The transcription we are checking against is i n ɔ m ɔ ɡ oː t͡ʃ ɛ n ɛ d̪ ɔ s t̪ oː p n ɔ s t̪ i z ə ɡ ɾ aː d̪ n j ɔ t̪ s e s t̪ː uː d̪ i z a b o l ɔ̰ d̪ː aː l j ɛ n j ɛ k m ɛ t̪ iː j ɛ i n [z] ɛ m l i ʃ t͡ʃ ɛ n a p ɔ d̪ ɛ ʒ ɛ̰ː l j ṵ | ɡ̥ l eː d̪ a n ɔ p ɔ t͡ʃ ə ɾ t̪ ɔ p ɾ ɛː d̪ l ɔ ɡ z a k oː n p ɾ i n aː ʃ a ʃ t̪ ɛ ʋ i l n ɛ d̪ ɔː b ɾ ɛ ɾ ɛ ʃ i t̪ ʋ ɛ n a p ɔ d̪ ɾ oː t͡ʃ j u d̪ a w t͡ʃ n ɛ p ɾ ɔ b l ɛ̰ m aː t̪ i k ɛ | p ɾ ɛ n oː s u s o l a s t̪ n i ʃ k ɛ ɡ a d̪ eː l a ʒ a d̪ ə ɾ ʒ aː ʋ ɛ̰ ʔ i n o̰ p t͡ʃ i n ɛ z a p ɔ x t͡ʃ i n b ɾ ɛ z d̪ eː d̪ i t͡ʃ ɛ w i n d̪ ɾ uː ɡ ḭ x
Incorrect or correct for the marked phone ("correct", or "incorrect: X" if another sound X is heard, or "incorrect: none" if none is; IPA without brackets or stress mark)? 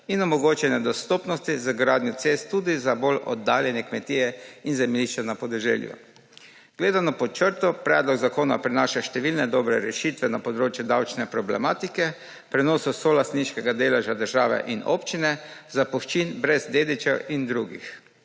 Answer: correct